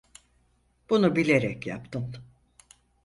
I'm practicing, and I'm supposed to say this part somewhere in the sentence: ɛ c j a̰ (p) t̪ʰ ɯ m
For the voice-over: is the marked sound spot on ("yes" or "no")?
yes